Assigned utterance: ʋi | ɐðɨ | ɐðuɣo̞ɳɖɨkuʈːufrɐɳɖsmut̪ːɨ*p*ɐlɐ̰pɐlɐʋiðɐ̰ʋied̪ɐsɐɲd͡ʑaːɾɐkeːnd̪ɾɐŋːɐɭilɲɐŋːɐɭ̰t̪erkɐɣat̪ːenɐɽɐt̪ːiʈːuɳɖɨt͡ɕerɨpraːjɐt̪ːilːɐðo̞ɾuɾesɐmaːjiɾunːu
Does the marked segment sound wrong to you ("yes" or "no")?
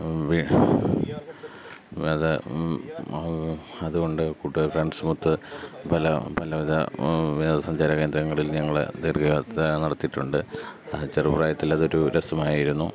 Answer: no